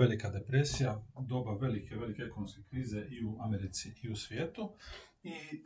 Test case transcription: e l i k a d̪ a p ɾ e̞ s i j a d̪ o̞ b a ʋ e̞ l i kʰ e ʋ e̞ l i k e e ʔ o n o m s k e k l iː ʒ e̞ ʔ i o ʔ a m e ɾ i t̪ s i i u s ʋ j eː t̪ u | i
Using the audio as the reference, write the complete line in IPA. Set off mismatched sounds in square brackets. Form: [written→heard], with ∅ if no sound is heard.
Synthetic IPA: e l i k a d̪ [a→e] p ɾ e̞ s i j a d̪ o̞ b a ʋ e̞ l i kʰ e ʋ e̞ l i k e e [ʔ→k] o n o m s k e k [l→ɾ] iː [ʒ→z] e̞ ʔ i [o→u] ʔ a m e ɾ i t̪ s i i u s ʋ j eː t̪ u | i